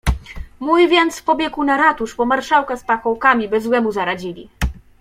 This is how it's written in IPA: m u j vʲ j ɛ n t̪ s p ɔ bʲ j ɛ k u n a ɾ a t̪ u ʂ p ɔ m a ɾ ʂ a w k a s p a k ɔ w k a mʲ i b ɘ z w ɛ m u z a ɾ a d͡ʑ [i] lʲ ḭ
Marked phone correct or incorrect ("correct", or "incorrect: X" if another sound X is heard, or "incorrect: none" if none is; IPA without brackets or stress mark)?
correct